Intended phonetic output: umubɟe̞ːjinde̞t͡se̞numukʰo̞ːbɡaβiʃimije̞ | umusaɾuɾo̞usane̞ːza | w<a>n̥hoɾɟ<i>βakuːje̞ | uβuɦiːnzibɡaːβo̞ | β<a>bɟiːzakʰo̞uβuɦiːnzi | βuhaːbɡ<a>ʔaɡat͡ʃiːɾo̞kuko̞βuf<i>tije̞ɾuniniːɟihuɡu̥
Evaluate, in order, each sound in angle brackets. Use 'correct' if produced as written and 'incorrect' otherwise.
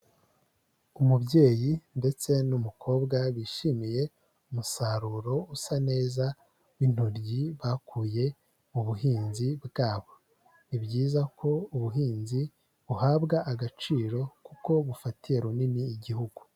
incorrect: i, correct, incorrect: i, correct, incorrect: a

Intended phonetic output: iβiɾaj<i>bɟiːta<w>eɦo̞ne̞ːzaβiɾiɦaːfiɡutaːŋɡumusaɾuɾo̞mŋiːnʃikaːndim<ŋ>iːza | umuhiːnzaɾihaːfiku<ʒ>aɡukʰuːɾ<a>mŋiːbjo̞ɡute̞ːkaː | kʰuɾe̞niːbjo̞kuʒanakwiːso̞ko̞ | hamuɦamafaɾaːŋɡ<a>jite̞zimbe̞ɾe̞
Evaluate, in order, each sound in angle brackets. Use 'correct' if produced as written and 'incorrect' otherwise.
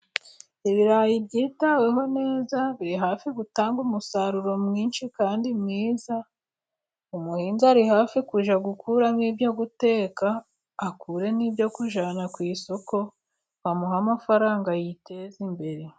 correct, correct, correct, correct, correct, correct

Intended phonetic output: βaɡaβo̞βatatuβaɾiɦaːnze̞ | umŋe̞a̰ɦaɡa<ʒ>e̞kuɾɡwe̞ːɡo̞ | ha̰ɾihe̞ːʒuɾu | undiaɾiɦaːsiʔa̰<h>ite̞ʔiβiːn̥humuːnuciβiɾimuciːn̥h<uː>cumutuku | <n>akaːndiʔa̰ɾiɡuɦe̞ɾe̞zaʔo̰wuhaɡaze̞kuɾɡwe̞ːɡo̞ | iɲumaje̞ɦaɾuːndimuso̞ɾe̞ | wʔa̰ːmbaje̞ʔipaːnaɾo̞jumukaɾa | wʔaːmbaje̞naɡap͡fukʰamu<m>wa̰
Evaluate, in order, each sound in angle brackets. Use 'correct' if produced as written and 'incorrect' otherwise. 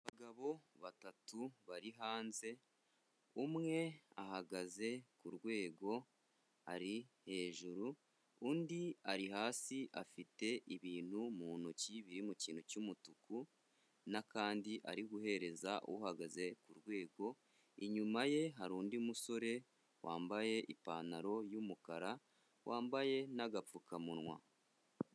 incorrect: z, incorrect: f, incorrect: u, correct, incorrect: n

